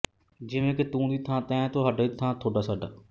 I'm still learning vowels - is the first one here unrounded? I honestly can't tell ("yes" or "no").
yes